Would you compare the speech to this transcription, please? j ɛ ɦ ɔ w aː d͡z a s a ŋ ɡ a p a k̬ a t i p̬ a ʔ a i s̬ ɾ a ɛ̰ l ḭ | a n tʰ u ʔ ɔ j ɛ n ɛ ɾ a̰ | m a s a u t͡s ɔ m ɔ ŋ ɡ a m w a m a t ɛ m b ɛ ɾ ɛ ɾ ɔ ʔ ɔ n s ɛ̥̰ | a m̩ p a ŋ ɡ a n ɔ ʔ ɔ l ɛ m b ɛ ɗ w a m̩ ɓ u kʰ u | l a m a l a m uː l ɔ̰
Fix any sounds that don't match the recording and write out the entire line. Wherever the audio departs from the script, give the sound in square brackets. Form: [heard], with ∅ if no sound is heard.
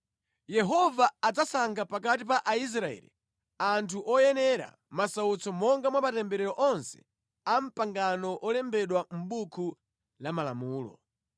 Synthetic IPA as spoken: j ɛ ɦ ɔ [v] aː d͡z a s a ŋ ɡ a p a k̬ a t i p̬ a ʔ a i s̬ ɾ a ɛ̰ l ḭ | a n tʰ u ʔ ɔ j ɛ n ɛ ɾ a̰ | m a s a u t͡s ɔ m ɔ ŋ ɡ a m w a m a t ɛ m b ɛ ɾ ɛ ɾ ɔ ʔ ɔ n s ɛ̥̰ | a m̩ p a ŋ ɡ a n ɔ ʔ ɔ l ɛ m b ɛ ɗ w a m̩ ɓ u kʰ u | l a m a l a m uː l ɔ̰

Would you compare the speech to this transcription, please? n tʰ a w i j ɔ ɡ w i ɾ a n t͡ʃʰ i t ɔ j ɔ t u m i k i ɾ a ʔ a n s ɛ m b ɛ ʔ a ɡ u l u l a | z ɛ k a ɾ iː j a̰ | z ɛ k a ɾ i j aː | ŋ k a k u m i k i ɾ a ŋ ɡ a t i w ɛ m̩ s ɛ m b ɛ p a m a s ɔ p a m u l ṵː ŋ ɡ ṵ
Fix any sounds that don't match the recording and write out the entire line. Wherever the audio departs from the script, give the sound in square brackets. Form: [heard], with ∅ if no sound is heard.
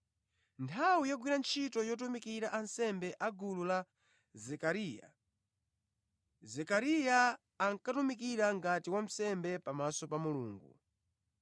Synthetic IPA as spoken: n tʰ a w i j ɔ ɡ w i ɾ a n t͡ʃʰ i t ɔ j ɔ t u m i k i ɾ a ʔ a n s ɛ m b ɛ ʔ a ɡ u l u l a | z ɛ k a ɾ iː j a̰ | z ɛ k a ɾ i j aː | ŋ k a [t] u m i k i ɾ a ŋ ɡ a t i w [a] m̩ s ɛ m b ɛ p a m a s ɔ p a m u l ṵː ŋ ɡ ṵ

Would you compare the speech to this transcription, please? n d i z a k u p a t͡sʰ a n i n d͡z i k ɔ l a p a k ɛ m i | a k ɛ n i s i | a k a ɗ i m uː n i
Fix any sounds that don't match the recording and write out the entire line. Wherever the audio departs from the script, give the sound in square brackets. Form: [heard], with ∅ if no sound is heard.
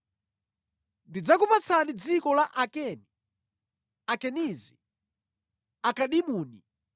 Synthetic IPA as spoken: n d i [d͡z] a k u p a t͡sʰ a n i [∅] d͡z i k ɔ l a [ʔ] a k ɛ [n] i | a k ɛ n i [z] i | a k a ɗ i m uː n i

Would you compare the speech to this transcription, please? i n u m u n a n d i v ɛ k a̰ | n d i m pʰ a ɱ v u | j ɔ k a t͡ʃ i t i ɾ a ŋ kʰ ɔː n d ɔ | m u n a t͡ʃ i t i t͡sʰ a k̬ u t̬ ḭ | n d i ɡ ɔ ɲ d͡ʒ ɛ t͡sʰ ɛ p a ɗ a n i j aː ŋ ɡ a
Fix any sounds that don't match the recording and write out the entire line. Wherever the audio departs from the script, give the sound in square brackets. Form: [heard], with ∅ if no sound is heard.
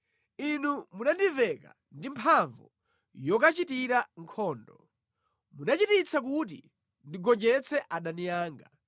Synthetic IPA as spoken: i n u m u n a n d i v ɛ k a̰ | n d i m pʰ a ɱ v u | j ɔ k a t͡ʃ i t i ɾ a ŋ kʰ ɔː n d ɔ | m u n a t͡ʃ i t i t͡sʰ a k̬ u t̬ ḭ | n d i ɡ ɔ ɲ d͡ʒ ɛ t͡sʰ ɛ [ʔ] a ɗ a n i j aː ŋ ɡ a

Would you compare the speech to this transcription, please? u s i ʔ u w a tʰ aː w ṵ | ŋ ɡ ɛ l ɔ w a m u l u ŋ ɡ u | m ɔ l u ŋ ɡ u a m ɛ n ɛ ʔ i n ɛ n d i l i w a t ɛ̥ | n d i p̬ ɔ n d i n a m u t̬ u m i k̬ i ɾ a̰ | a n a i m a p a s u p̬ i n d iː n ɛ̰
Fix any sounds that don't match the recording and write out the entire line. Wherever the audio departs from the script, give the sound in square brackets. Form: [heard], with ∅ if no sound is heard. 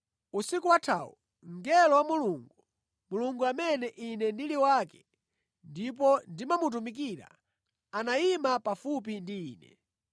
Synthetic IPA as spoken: u s i [k] u w a tʰ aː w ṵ | ŋ ɡ ɛ l ɔ w a m u l u ŋ ɡ u | m [u] l u ŋ ɡ u a m ɛ n ɛ ʔ i n ɛ n d i l i w a [k] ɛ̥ | n d i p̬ ɔ n d i [m] a m u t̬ u m i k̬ i ɾ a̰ | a n a i m a p a [f] u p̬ i n d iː n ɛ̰

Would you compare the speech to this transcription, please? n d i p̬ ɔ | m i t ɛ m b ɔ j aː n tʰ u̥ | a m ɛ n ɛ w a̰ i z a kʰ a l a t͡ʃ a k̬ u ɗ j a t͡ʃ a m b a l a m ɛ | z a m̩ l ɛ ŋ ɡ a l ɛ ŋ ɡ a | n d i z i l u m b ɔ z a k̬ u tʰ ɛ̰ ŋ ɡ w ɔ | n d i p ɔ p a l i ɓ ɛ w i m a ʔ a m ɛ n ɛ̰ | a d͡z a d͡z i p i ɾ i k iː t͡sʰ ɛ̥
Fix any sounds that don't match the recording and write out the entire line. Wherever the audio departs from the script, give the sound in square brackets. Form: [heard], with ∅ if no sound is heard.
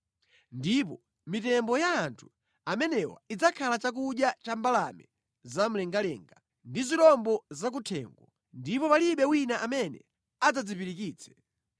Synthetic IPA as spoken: n d i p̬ ɔ | m i t ɛ m b ɔ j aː n tʰ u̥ | a m ɛ n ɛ w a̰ i [d͡z] a kʰ a l a t͡ʃ a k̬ u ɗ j a t͡ʃ a m b a l a m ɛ | z a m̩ l ɛ ŋ ɡ a l ɛ ŋ ɡ a | n d i z i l [ɔ] m b ɔ z a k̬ u tʰ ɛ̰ ŋ ɡ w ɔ | n d i p ɔ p a l i ɓ ɛ w i [n] a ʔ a m ɛ n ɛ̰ | a d͡z a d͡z i p i ɾ i k iː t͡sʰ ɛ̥

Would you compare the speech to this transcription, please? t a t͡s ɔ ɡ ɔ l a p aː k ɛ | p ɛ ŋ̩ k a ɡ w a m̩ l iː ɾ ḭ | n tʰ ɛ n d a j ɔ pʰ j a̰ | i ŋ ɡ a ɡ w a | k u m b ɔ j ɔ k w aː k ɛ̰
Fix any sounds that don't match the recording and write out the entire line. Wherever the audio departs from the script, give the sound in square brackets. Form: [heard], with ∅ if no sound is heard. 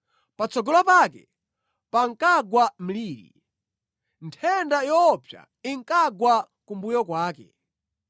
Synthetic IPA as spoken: [p] a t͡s ɔ ɡ ɔ l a p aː k ɛ | p [a] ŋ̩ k a ɡ w a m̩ l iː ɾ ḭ | n tʰ ɛ n d a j ɔ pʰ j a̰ | i ŋ [k] a ɡ w a | k u m b [u] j ɔ k w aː k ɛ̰

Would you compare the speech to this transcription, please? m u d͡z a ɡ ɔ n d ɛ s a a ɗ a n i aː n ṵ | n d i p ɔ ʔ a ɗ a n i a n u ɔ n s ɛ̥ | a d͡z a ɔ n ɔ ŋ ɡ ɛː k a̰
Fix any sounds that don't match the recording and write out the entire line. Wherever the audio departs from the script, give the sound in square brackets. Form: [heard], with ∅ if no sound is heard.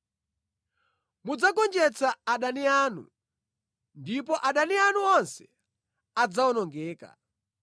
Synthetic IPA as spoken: m u d͡z a [k] ɔ n [d͡ʒ] ɛ [t͡s] a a ɗ a n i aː n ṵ | n d i p ɔ ʔ a ɗ a n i a n u ɔ n s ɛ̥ | a d͡z a ɔ n ɔ ŋ ɡ ɛː k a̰

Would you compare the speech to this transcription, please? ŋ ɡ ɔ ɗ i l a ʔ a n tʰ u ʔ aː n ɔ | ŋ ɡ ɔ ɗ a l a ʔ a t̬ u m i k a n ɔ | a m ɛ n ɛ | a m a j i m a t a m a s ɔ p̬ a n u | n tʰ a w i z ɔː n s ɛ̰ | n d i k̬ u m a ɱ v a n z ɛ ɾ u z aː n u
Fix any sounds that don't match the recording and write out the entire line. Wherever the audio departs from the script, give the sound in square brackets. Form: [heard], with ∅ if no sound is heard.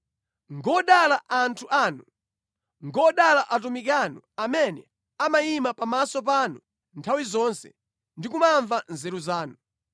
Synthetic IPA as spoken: ŋ ɡ ɔ ɗ [a] l a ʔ a n tʰ u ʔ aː n [u] | ŋ ɡ ɔ ɗ a l a ʔ a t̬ u m i k a n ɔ | a m ɛ n ɛ | a m a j i m a [p] a m a s ɔ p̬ a n u | n tʰ a w i z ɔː n s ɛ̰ | n d i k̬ u m a ɱ v a n z ɛ ɾ u z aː n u

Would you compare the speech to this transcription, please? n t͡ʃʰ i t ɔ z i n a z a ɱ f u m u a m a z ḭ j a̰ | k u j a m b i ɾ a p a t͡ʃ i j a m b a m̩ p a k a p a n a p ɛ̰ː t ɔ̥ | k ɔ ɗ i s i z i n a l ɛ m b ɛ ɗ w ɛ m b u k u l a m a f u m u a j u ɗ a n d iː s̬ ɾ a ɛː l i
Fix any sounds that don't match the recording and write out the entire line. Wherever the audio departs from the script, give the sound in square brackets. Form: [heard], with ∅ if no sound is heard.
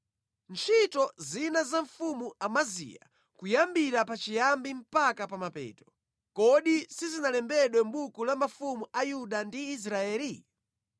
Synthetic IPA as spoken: n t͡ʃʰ i t ɔ z i n a z a ɱ f u m u a m a z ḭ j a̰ | k u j a m b i ɾ a p a t͡ʃ i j a m b [i] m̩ p a k a p a [m] a p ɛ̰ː t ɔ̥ | k ɔ ɗ i s i z i n a l ɛ m b ɛ ɗ w ɛ m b u k u l a m a f u m u a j u ɗ a n d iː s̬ ɾ a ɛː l i

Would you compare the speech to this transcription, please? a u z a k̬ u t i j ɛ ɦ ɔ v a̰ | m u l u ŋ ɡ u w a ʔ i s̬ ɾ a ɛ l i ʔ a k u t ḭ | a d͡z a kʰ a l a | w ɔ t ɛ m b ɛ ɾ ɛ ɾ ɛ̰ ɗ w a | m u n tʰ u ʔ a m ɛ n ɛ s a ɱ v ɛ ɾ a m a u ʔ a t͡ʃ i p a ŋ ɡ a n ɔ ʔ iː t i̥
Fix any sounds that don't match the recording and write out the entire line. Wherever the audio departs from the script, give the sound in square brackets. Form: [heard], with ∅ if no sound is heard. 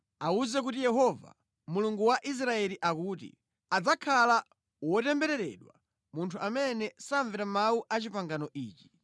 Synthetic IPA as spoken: a u z [ɛ] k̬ u t i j ɛ ɦ ɔ v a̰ | m u l u ŋ ɡ u w a ʔ i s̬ ɾ a ɛ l i ʔ a k u t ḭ | a d͡z a kʰ a l a | w ɔ t ɛ m b ɛ ɾ ɛ ɾ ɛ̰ ɗ w a | m u n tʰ u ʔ a m ɛ n ɛ s a ɱ v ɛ ɾ a m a u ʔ a t͡ʃ i p a ŋ ɡ a n ɔ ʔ iː [t͡ʃ] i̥

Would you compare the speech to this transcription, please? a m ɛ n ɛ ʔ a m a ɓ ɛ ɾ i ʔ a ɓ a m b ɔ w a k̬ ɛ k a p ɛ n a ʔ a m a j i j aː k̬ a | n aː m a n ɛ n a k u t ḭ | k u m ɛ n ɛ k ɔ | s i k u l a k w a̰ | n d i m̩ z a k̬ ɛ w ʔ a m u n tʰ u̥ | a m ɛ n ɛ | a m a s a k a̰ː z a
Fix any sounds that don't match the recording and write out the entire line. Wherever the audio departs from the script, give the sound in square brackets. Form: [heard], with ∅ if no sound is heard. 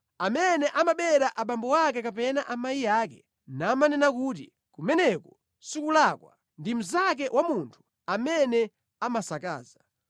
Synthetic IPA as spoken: a m ɛ n ɛ ʔ a m a ɓ ɛ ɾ [a] ʔ a ɓ a m b ɔ w a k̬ ɛ k a p ɛ n a ʔ a m a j i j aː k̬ [ɛ] | n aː m a n ɛ n a k u t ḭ | k u m ɛ n ɛ k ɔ | s i k u l a k w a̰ | n d i m̩ z a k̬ ɛ w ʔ a m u n tʰ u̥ | a m ɛ n ɛ | a m a s a k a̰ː z a

